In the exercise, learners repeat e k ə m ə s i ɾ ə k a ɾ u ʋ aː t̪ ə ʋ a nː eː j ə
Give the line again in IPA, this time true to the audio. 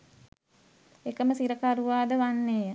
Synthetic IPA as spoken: e k ə m ə s i ɾ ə k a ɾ u ʋ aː d̪ ə ʋ a nː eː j ə